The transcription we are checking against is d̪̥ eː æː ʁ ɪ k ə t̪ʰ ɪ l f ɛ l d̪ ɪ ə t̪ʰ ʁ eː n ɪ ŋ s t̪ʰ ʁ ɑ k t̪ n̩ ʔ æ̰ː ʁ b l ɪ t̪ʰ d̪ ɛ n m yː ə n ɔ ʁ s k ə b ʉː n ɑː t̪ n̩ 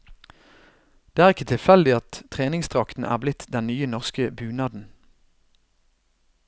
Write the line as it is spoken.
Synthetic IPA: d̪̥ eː æː ʁ ɪ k ə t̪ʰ ɪ l f ɛ l d̪ ɪ ɑ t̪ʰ ʁ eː n ɪ ŋ s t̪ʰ ʁ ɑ k t̪ n̩ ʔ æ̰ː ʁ b l ɪ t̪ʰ d̪ ɛ n n yː ə n ɔ ʁ s k ə b ʉː n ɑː d̪ n̩